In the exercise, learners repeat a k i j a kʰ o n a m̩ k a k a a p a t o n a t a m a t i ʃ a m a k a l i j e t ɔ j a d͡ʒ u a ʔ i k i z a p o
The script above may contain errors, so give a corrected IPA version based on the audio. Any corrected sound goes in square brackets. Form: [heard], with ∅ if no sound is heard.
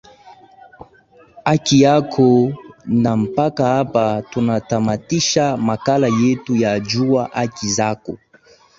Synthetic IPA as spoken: a k i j a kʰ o n a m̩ [p] a k a a p a t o n a t a m a t i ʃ a m a k a l [a] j e t [u] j a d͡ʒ u a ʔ [a] k i z a [k] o